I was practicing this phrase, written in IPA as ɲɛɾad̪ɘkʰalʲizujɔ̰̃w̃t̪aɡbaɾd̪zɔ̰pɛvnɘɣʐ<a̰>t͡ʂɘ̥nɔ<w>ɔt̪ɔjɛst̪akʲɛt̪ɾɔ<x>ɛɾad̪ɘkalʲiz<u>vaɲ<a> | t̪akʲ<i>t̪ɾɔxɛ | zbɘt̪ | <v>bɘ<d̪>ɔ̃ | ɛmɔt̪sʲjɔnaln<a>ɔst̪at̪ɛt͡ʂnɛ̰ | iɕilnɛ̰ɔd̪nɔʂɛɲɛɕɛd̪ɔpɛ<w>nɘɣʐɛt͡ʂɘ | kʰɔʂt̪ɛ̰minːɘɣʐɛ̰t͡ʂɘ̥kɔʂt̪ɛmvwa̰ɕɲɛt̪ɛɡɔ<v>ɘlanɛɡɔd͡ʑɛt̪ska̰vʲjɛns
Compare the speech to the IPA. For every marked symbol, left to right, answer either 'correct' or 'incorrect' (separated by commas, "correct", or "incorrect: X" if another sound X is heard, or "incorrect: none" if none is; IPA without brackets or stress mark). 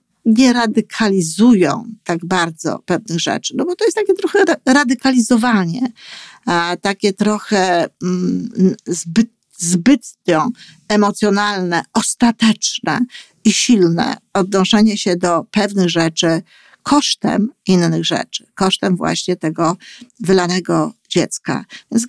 incorrect: ɛ̰, incorrect: b, correct, incorrect: ɔ, incorrect: ɛ, incorrect: ɛ, incorrect: z, incorrect: t̪, incorrect: ɛ, incorrect: v, correct